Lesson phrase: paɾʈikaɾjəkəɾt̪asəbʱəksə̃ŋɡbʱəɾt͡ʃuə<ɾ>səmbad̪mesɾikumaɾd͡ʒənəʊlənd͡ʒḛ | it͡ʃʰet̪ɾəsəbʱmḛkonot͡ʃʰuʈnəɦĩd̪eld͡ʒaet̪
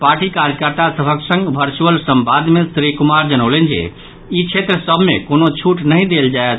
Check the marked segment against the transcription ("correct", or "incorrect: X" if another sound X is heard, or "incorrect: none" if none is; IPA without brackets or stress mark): incorrect: l